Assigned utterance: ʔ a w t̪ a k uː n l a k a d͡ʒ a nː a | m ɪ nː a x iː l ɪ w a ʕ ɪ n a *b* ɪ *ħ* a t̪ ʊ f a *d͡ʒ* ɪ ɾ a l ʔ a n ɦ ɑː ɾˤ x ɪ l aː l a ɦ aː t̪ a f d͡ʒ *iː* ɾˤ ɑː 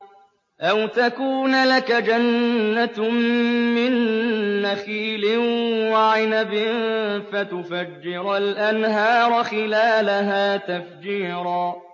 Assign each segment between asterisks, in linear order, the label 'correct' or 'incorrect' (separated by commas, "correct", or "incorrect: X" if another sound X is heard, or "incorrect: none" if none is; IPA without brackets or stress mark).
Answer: correct, incorrect: f, incorrect: d͡ʒː, correct